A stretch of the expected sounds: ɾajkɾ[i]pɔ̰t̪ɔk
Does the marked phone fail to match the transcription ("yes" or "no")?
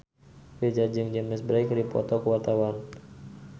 no